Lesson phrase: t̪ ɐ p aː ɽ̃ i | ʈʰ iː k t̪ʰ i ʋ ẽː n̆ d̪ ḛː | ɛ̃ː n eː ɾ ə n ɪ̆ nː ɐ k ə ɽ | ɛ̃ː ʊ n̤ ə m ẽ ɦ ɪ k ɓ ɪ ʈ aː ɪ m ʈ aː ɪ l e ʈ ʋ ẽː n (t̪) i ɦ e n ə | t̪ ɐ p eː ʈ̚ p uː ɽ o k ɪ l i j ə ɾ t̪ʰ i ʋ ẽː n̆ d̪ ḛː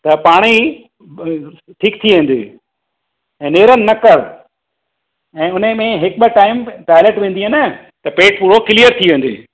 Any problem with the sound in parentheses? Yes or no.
yes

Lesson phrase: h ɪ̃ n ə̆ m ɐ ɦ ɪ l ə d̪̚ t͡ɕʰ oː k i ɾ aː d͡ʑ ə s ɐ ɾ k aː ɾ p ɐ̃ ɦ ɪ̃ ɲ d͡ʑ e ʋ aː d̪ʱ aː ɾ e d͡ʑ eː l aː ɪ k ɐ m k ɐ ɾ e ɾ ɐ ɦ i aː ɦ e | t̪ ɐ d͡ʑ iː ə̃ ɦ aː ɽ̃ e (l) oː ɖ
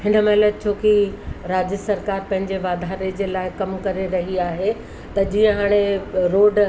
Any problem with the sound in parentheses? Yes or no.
yes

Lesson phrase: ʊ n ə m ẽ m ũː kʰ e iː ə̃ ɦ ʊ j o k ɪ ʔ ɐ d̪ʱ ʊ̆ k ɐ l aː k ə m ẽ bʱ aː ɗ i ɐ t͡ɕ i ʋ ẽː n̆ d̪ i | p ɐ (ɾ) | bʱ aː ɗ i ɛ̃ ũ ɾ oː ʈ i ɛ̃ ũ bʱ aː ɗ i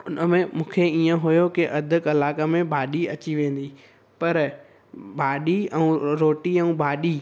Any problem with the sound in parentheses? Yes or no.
no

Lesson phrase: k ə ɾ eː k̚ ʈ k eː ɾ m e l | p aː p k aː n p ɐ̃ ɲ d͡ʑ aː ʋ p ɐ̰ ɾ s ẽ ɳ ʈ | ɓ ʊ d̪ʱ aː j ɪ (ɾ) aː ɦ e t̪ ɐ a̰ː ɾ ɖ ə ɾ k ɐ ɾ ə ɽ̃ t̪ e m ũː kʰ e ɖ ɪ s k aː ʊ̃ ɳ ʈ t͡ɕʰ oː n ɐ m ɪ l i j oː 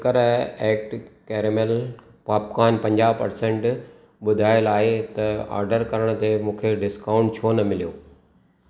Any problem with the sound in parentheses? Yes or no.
yes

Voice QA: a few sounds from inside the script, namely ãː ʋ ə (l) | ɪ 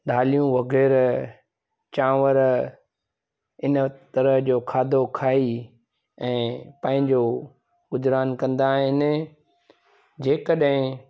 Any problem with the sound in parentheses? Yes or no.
yes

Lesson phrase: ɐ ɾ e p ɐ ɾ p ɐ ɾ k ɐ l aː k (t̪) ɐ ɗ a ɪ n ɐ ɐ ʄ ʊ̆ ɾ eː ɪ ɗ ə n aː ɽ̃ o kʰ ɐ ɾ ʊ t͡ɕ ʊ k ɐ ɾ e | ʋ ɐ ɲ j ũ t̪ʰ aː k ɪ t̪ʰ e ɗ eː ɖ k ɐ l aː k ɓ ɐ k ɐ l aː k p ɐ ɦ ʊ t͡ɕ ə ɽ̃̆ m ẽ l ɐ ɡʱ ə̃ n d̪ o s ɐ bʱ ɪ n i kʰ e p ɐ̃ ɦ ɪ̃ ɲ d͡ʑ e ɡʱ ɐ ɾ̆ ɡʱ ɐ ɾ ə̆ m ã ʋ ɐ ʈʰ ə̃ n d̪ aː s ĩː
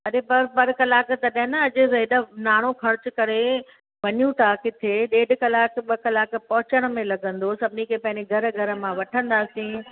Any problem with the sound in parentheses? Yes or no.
no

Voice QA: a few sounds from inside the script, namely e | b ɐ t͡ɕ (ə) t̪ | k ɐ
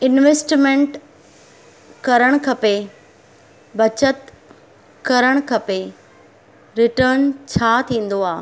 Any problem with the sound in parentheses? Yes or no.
no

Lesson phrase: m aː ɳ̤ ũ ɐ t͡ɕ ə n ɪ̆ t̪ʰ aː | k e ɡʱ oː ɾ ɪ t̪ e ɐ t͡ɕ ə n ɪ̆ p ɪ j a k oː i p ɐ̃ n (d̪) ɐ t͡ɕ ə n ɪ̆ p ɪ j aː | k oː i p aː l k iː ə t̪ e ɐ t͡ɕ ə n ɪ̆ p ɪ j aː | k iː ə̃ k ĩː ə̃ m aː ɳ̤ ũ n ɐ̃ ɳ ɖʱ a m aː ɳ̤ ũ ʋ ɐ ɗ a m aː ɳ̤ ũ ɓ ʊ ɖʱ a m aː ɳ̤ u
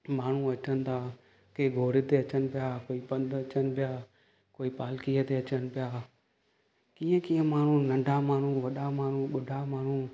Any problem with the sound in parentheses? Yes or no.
no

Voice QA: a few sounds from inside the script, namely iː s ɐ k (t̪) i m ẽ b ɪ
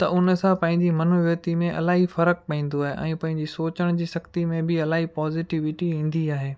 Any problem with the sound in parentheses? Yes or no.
no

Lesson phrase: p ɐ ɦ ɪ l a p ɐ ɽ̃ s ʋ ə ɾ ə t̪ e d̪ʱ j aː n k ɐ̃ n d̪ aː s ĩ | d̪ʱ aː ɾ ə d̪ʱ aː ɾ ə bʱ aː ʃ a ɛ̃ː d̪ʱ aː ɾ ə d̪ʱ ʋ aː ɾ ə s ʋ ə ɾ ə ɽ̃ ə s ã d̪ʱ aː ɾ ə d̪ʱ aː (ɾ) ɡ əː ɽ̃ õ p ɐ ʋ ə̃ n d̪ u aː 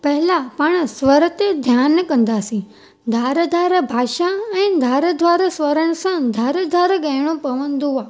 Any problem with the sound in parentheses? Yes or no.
no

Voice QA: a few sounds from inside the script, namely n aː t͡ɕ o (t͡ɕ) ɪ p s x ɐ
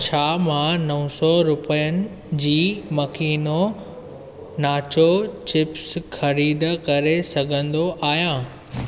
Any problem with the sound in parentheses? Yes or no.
no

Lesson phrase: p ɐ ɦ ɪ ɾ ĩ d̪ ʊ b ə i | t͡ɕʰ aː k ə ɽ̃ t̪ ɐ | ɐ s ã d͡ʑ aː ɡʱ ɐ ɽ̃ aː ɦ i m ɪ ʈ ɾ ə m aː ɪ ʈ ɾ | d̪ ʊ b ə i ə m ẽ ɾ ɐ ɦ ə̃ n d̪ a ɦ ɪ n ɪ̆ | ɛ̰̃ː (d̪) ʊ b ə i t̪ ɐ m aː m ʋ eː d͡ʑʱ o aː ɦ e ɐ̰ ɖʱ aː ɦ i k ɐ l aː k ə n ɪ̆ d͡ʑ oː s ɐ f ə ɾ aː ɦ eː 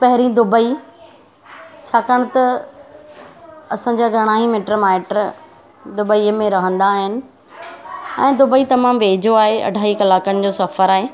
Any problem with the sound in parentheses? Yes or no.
no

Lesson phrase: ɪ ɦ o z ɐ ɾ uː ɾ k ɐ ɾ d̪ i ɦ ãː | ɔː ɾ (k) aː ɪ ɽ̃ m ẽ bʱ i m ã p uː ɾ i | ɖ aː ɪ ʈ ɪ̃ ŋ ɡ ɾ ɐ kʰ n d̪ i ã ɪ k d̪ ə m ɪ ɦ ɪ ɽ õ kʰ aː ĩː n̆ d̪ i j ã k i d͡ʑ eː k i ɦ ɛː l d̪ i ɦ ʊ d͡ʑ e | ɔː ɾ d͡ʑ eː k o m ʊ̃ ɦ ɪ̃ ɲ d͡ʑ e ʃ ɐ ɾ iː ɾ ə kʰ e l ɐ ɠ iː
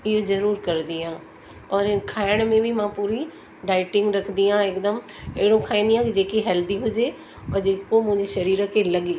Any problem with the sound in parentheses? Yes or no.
yes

